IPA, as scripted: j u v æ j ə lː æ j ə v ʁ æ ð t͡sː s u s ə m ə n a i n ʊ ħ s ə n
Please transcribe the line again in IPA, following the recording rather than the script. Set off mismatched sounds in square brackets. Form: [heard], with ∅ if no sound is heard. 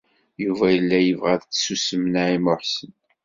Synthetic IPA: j u v æ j ə lː æ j ə v ʁ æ ð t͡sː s u s ə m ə n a i [m] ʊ ħ s ə n

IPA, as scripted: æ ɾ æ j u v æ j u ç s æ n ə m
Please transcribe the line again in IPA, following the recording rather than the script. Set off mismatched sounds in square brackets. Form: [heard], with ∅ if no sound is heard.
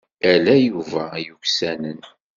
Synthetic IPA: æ [l] æ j u v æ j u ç s æ n ə [n]

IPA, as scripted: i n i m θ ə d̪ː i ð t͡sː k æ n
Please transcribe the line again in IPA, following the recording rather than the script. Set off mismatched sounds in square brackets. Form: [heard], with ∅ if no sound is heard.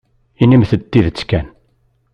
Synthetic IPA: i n i m θ ə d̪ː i ð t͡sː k æ n

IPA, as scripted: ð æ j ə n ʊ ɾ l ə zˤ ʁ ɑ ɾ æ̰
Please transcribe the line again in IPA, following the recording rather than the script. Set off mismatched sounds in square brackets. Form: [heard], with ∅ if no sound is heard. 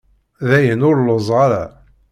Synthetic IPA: ð æ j ə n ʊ ɾ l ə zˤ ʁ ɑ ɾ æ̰

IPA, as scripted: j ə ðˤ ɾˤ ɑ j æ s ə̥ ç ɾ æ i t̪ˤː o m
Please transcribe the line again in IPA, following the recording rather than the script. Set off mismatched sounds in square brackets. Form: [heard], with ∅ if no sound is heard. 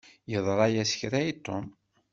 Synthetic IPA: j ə ðˤ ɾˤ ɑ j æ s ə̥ ç ɾ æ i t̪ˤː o m

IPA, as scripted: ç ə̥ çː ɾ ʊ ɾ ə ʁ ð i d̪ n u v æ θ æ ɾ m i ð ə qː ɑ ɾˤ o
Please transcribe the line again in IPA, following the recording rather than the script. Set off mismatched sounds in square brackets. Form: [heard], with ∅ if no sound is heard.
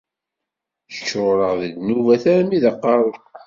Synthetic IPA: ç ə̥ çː ɾ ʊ ɾ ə ʁ ð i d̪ n u v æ θ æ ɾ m i ð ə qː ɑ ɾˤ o

